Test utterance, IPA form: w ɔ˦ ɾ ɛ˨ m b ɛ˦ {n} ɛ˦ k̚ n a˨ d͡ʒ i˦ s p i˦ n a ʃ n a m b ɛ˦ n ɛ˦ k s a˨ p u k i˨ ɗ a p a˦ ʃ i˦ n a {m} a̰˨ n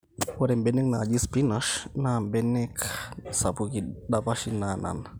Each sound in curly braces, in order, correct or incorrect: correct, incorrect: n

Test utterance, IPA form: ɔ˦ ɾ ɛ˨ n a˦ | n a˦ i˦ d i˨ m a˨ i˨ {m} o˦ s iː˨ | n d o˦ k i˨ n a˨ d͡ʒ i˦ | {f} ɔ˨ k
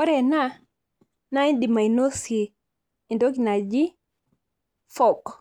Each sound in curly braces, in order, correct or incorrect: incorrect: n, correct

